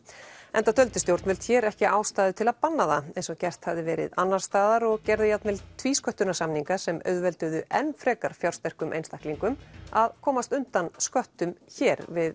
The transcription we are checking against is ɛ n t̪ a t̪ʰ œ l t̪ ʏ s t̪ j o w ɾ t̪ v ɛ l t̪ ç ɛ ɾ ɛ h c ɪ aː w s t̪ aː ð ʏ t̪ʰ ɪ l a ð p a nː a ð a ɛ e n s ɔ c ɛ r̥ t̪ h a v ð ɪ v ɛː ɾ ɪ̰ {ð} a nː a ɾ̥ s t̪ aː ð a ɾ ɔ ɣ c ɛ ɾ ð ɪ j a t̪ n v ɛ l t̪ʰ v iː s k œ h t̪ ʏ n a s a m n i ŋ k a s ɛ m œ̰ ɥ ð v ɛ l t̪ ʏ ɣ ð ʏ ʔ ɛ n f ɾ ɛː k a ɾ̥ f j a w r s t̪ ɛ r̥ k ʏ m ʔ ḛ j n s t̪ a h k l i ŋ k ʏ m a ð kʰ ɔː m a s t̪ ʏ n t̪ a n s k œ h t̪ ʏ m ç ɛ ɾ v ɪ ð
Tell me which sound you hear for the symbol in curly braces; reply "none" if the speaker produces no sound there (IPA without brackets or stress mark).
ð